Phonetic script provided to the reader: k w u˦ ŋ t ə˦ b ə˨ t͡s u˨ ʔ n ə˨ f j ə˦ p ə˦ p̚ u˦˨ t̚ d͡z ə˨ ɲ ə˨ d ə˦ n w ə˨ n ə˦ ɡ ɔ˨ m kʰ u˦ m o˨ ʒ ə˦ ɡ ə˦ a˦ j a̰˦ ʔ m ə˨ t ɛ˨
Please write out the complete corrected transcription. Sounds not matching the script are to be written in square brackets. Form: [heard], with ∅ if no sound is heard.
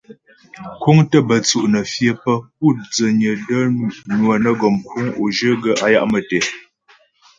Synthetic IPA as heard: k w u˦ ŋ t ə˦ b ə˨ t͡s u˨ ʔ n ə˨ f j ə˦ p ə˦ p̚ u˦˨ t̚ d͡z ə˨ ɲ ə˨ d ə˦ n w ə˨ n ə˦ ɡ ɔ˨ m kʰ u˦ [ŋ] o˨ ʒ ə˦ ɡ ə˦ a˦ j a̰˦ ʔ m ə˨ t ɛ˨